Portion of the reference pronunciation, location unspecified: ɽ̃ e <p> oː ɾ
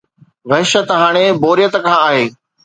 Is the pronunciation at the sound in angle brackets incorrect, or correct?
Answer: incorrect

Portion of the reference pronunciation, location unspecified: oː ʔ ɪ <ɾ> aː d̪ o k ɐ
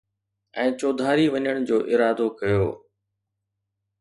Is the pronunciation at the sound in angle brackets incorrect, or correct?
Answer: correct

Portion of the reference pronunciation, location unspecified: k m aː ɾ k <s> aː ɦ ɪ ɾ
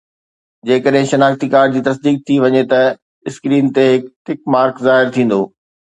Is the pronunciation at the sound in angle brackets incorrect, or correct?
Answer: incorrect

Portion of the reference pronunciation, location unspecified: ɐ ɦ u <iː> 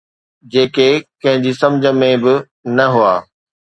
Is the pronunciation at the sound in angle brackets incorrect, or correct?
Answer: incorrect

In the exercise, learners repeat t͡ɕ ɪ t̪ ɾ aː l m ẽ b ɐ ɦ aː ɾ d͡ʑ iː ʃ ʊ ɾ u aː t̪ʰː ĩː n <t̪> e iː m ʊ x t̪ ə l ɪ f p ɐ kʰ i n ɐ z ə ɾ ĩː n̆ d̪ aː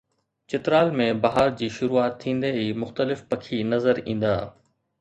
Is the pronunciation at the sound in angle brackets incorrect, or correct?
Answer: incorrect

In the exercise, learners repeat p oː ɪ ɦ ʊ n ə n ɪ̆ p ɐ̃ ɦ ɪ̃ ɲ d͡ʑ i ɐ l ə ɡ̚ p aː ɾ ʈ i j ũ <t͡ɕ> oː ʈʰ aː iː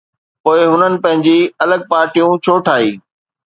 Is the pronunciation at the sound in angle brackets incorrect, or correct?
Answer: incorrect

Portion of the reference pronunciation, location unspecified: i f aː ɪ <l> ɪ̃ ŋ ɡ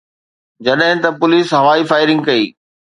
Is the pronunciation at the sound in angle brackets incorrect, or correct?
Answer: incorrect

